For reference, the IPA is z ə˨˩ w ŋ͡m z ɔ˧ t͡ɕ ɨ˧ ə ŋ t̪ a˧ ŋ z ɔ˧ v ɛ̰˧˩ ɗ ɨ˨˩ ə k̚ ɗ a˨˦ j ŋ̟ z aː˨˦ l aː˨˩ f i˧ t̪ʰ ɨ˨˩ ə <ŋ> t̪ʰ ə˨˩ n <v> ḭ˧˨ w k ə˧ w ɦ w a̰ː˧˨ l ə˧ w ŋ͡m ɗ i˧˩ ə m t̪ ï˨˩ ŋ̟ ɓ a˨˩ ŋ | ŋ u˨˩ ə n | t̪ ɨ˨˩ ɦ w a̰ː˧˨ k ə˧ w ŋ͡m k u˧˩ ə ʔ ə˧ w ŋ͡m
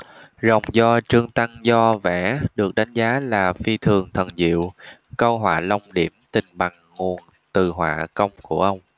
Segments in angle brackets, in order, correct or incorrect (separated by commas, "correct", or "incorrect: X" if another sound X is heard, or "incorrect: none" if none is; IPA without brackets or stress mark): correct, incorrect: z